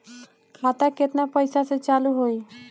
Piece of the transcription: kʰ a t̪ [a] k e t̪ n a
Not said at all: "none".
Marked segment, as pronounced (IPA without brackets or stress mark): a